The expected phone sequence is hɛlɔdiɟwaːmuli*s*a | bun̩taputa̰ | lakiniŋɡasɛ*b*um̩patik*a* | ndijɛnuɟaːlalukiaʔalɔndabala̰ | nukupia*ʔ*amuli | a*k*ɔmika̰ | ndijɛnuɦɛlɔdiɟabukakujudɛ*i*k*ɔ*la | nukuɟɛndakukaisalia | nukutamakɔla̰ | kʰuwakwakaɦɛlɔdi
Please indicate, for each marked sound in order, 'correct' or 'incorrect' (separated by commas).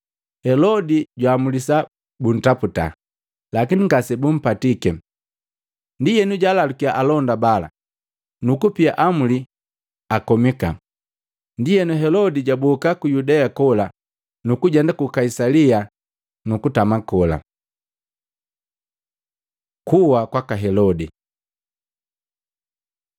correct, correct, incorrect, correct, correct, incorrect, correct